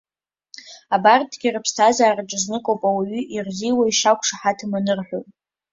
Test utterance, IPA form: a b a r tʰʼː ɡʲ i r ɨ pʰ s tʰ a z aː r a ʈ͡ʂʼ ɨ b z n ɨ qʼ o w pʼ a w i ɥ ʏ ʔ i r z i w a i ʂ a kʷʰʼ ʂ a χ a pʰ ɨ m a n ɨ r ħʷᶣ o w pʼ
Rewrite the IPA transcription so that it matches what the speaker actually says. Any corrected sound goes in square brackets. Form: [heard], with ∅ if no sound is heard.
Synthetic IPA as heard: a b a r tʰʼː ɡʲ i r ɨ pʰ s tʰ a z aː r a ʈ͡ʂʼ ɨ [∅] z n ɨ [kʼ] o w pʼ a w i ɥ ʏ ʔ i r z i w a i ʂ a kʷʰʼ ʂ a [ħ] a [tʰ] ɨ m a n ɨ r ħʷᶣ o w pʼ

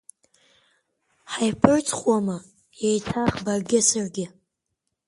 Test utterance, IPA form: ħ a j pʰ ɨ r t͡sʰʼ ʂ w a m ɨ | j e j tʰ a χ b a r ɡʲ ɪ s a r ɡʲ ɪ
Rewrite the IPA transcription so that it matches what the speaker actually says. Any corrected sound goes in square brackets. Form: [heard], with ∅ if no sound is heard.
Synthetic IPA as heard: ħ a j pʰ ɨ r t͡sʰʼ [χ] w a m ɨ | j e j tʰ a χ b a r ɡʲ ɪ s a r ɡʲ ɪ

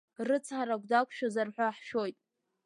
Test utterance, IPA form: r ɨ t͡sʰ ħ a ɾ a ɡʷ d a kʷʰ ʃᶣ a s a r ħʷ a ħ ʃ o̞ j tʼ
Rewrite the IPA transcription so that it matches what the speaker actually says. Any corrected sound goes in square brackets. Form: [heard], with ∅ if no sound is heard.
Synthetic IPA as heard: r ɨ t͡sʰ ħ a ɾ a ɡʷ d a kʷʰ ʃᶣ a [z] a r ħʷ a ħ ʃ o̞ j tʼ

